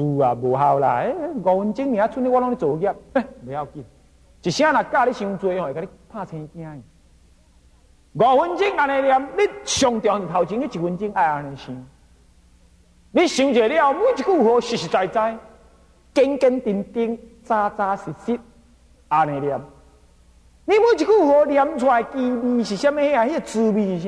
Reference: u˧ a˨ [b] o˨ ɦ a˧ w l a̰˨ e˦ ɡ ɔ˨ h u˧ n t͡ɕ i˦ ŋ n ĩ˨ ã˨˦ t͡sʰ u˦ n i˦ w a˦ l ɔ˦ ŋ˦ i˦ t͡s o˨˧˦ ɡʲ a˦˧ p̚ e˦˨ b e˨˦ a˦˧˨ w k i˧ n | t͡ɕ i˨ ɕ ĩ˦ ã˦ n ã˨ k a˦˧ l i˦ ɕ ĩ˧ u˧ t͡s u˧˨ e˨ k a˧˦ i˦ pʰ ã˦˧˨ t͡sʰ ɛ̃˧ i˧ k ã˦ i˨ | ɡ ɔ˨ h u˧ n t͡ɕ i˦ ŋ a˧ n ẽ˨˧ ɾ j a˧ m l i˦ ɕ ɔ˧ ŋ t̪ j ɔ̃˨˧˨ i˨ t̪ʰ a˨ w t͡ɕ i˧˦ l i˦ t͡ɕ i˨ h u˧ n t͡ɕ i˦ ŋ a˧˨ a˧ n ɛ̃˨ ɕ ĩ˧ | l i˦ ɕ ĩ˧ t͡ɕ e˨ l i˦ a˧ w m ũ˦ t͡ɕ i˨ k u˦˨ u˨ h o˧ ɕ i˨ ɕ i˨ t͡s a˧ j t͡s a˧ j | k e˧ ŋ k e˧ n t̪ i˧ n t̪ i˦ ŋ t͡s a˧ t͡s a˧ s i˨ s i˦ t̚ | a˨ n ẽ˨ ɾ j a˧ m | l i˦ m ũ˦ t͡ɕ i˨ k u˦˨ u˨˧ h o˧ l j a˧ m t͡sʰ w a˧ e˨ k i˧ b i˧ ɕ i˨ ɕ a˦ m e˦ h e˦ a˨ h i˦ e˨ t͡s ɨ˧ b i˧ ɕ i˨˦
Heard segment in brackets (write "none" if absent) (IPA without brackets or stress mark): b